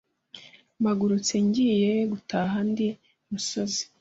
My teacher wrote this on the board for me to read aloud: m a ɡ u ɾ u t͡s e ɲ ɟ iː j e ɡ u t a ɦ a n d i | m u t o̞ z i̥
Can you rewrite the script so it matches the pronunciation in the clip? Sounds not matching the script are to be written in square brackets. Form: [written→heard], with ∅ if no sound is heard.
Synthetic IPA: m a ɡ u ɾ u t͡s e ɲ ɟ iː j e ɡ u t a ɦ a n d i | m u [t→s] o̞ z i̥

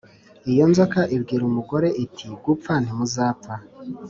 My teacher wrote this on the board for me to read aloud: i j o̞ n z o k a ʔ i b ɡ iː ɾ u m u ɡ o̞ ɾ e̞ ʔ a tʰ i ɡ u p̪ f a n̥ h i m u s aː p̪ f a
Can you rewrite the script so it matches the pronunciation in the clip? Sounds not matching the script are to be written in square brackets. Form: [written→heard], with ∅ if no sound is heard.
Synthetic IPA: i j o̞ n z o k a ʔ i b ɡ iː ɾ u m u ɡ o̞ ɾ e̞ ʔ [a→i] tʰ i ɡ u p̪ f a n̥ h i m u [s→z] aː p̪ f a

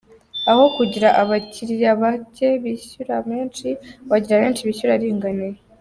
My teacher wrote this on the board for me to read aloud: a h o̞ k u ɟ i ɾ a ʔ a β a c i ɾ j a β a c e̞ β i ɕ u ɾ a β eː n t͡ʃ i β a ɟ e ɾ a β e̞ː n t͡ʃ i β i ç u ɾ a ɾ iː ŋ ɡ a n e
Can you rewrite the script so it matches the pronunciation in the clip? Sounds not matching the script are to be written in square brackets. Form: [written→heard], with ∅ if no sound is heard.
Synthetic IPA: a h o̞ k u ɟ i ɾ a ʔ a β a c i ɾ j a β a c e̞ β i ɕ u ɾ a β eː n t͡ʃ i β a ɟ [e→i] ɾ a β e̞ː n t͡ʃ i β i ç u ɾ a ɾ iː ŋ ɡ a n e

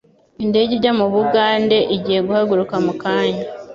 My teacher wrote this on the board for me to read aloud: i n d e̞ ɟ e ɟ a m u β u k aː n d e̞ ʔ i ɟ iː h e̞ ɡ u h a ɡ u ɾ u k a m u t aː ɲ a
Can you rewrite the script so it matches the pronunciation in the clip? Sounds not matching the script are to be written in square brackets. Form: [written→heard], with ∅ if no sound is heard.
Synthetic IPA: i n d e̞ ɟ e ɟ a m u β u [k→ɡ] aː n d e̞ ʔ i ɟ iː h e̞ ɡ u h a ɡ u ɾ u k a m u [t→k] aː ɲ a

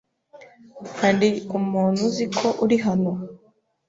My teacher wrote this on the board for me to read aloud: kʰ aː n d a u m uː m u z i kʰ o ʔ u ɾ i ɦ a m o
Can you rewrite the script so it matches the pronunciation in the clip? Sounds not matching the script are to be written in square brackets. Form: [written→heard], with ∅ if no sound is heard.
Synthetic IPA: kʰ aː n d [a→i] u m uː [m→n] u z i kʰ o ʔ u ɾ i ɦ a [m→n] o

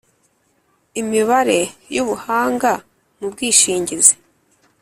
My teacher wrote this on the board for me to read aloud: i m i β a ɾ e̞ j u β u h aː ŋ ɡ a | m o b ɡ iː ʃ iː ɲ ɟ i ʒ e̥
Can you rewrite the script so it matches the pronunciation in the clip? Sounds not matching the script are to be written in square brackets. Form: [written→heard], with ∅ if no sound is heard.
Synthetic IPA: i m i β a ɾ e̞ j u β u h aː ŋ ɡ a | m [o→u] b ɡ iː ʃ iː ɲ ɟ i [ʒ→z] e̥

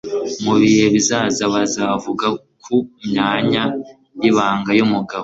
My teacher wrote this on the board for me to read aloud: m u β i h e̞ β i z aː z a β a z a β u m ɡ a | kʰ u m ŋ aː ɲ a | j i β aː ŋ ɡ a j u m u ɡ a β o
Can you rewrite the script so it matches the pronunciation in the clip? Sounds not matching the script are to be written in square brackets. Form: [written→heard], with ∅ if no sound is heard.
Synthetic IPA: m u β i h e̞ β i z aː z a β a z a [β→v] u [m→∅] ɡ a | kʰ u m [ŋ→ɲ] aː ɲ a | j i β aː ŋ ɡ a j u m u ɡ a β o

